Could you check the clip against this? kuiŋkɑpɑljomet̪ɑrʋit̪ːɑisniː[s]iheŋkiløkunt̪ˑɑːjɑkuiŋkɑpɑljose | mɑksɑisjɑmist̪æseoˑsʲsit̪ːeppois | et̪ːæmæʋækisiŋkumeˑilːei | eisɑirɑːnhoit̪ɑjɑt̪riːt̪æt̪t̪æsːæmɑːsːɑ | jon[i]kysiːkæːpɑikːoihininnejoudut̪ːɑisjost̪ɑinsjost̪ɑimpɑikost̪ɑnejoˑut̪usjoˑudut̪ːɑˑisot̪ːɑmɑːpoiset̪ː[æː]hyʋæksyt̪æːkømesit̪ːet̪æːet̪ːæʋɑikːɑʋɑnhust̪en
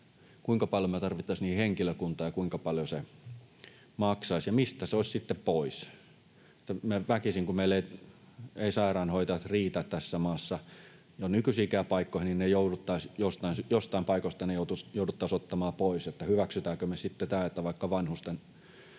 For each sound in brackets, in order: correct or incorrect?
incorrect: h, incorrect: y, incorrect: æ

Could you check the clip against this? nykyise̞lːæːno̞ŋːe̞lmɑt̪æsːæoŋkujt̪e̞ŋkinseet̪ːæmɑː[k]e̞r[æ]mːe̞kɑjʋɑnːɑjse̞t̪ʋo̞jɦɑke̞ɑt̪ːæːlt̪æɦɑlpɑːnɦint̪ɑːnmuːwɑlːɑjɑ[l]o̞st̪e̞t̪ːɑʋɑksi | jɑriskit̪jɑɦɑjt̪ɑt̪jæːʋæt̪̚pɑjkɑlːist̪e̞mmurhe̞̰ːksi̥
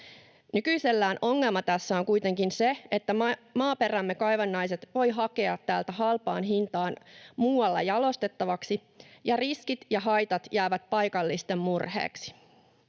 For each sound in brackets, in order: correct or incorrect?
incorrect: p, correct, correct

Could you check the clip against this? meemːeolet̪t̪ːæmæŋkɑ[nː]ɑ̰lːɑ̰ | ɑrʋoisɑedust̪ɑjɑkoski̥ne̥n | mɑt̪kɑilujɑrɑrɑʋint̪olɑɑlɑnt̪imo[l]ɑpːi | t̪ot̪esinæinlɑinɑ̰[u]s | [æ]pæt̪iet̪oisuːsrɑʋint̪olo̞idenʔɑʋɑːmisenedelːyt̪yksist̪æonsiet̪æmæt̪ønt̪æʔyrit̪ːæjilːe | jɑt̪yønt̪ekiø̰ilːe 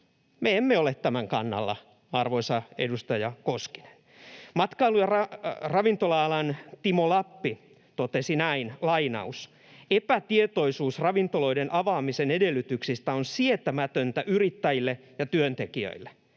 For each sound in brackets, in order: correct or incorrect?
correct, correct, correct, incorrect: e

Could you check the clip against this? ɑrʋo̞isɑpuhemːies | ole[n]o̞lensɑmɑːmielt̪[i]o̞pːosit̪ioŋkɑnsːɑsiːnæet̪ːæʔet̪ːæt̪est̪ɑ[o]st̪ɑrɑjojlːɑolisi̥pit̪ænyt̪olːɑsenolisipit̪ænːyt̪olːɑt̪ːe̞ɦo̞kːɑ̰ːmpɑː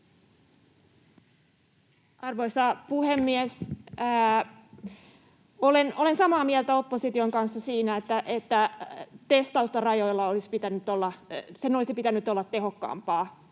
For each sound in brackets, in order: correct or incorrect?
correct, incorrect: æ, incorrect: u

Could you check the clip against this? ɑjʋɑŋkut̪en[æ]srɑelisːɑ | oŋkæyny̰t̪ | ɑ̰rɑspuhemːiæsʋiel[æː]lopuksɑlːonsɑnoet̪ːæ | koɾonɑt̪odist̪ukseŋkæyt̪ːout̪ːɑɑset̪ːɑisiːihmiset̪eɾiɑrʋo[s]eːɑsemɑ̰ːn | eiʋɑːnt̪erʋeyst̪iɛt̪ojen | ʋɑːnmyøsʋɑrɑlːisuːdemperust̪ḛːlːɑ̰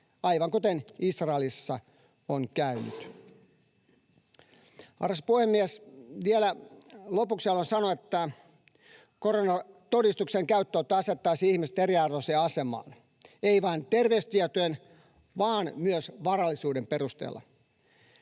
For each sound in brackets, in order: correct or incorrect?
incorrect: i, incorrect: æ, correct

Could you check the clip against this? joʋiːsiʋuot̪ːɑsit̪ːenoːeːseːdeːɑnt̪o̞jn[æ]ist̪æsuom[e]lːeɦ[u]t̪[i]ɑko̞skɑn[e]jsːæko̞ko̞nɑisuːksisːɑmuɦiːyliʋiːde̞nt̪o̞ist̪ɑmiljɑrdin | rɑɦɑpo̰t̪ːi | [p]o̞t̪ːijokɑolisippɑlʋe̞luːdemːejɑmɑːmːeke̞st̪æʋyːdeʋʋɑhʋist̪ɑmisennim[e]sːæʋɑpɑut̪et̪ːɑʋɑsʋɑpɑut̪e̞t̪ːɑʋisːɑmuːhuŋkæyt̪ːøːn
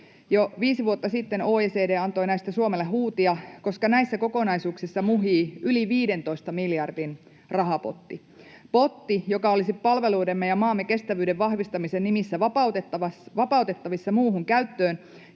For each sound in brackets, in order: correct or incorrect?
correct, correct, incorrect: uː, correct, incorrect: æ, correct, incorrect: i

